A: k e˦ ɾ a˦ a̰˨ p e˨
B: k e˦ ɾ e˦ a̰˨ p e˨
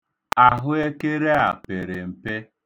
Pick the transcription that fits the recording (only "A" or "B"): B